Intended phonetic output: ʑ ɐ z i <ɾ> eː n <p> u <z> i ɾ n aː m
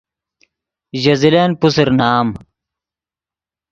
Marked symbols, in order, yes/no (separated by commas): no, yes, no